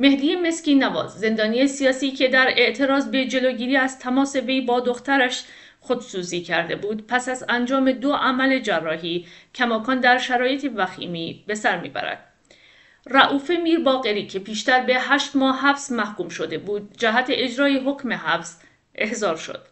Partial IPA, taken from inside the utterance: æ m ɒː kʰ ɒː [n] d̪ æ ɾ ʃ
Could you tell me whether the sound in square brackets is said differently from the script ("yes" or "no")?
no